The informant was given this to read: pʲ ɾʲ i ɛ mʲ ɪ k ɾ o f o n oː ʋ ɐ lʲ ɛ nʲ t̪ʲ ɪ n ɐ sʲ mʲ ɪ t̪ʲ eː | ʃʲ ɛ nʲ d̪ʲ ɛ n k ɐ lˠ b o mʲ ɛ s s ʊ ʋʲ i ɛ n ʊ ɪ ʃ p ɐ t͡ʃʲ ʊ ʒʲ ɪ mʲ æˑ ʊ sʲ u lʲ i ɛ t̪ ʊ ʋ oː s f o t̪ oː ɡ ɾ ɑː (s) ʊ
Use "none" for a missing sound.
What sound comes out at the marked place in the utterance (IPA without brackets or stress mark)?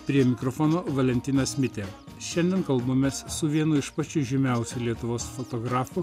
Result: f